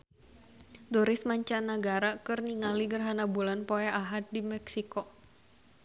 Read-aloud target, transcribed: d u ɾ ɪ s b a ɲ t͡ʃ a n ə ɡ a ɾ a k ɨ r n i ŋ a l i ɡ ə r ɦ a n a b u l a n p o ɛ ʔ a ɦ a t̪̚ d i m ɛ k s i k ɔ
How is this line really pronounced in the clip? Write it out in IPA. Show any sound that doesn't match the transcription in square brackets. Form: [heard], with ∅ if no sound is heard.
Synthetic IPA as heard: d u ɾ ɪ s [m] a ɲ t͡ʃ a n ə ɡ a ɾ a k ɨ r n i ŋ a l i ɡ ə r ɦ a n a b u l a n p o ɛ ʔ a ɦ a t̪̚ d i m ɛ k s i k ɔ